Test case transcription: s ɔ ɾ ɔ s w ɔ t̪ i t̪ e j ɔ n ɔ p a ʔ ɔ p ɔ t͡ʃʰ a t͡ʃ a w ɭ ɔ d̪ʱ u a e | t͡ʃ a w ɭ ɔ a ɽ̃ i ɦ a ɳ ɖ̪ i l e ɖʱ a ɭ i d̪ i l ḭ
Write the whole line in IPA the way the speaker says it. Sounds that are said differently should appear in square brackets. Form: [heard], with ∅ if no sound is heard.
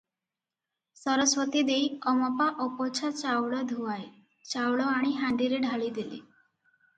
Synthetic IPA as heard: s ɔ ɾ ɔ s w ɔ t̪ i [d̪] e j ɔ [m] ɔ p a ʔ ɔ p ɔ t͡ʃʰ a t͡ʃ a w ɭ ɔ d̪ʱ u a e | t͡ʃ a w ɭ ɔ a ɽ̃ i ɦ a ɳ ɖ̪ i [ɾ] e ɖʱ a ɭ i d̪ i l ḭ